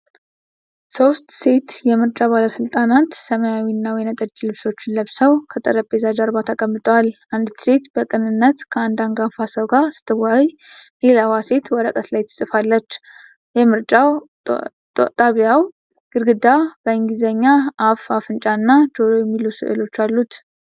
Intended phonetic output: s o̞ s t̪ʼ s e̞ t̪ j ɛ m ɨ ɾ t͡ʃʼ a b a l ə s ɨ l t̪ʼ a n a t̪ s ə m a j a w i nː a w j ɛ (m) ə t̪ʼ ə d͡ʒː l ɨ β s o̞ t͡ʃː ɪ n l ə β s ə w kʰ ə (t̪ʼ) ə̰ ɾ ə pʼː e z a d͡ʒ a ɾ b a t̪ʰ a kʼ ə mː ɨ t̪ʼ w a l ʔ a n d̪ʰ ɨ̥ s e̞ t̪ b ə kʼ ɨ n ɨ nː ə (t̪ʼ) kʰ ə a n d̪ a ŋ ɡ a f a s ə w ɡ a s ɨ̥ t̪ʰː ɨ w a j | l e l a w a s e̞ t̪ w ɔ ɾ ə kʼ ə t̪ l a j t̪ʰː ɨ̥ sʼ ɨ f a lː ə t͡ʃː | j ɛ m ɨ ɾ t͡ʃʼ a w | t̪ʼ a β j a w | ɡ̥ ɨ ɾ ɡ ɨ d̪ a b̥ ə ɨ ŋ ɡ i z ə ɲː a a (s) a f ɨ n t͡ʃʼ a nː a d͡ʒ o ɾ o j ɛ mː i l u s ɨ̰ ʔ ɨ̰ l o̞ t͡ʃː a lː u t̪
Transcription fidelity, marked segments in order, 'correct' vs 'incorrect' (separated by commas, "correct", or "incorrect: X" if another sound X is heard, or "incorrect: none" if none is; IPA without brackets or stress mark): incorrect: n, correct, incorrect: t̪, incorrect: f